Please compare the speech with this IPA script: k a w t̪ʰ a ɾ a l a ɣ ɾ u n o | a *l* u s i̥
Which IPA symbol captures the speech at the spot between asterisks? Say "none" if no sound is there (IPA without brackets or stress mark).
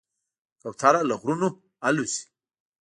l